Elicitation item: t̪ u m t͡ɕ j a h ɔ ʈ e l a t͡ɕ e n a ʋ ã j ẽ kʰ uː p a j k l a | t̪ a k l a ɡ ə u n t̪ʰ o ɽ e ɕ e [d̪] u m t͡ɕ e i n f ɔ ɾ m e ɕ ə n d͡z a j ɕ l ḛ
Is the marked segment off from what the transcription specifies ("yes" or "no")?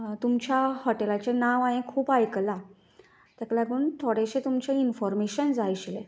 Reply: yes